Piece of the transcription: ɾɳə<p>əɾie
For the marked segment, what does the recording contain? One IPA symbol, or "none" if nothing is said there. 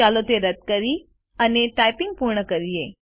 k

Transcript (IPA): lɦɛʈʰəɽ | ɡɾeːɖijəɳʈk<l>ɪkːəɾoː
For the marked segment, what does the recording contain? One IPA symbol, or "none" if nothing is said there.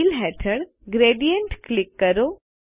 l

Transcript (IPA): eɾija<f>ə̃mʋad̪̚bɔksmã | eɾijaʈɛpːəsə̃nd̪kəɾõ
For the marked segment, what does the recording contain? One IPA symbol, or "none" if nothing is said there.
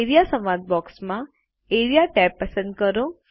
s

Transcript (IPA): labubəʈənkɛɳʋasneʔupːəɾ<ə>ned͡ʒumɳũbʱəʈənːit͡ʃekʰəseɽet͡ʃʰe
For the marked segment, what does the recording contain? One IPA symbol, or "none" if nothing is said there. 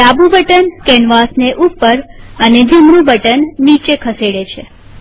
ə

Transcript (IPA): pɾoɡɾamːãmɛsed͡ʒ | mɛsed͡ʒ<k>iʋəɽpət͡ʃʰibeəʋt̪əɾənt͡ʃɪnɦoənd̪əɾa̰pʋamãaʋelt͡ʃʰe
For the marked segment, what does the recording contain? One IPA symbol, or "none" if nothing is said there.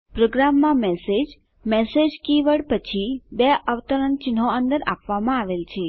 k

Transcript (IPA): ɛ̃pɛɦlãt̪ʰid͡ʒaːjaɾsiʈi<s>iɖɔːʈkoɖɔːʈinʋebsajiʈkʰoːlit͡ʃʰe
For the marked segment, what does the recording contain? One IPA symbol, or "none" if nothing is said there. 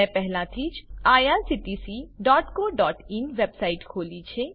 s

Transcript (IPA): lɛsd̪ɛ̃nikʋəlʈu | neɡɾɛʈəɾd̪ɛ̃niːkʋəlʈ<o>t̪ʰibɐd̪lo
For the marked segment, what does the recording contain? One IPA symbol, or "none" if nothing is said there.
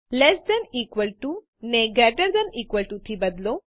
u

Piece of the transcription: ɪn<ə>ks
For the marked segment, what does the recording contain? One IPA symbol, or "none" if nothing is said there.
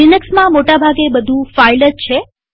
ə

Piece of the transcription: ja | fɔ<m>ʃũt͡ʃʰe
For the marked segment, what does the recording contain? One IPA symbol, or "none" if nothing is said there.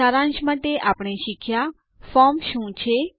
m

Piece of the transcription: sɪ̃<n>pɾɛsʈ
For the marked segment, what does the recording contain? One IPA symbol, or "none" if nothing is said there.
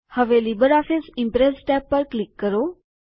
m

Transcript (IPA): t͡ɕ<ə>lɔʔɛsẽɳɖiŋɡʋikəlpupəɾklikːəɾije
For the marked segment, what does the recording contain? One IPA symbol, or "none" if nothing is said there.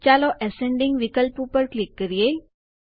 a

